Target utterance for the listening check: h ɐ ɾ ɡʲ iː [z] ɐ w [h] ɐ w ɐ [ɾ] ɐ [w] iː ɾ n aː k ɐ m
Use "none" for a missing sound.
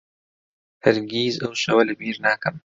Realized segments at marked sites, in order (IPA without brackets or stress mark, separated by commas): z, ʃ, l, b